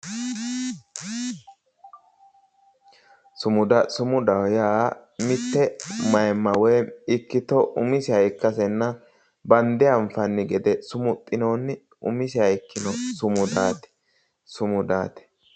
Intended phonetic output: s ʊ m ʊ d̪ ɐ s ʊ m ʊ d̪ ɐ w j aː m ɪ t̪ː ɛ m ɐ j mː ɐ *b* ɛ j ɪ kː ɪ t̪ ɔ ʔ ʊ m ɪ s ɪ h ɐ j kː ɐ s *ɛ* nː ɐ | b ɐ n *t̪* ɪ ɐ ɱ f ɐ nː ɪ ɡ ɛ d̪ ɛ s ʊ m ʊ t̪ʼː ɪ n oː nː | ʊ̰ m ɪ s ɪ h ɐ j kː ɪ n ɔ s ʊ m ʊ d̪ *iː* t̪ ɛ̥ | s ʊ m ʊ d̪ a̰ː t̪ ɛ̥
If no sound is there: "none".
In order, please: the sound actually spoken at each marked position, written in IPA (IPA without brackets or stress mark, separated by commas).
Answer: w, ɛ, d̪, aː